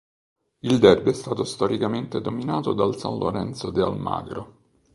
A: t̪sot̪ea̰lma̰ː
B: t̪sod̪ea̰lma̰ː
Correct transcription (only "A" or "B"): B